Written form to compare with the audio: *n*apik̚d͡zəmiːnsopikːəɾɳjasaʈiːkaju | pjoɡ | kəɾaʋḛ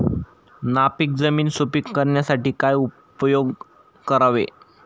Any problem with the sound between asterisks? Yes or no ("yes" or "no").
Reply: no